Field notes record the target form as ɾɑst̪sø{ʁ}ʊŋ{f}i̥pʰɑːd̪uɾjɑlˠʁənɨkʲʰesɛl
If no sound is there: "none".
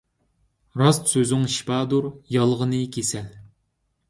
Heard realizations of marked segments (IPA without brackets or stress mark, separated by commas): z, ʃ